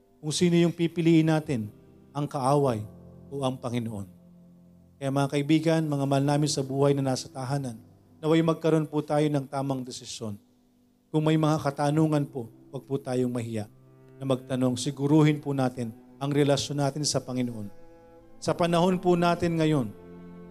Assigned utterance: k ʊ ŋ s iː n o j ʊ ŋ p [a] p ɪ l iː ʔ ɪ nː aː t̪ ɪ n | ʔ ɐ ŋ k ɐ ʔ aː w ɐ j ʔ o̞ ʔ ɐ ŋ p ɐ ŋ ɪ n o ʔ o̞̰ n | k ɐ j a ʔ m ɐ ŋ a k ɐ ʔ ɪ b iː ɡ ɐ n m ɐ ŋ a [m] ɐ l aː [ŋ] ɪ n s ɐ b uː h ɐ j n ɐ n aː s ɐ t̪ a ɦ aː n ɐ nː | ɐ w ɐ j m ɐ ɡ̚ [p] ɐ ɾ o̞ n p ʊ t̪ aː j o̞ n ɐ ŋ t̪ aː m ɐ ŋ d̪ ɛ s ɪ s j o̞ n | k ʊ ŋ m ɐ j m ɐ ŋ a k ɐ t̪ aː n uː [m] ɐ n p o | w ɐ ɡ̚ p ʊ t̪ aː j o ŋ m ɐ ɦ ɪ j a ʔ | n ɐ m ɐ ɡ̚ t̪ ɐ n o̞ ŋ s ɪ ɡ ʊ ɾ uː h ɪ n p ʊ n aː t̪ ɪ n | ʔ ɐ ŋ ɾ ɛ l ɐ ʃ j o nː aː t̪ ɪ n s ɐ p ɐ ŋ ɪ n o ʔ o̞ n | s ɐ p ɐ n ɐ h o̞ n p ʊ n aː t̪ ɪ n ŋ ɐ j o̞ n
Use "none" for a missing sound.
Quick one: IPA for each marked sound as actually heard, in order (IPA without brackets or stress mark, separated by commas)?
i, m, m, k, ŋ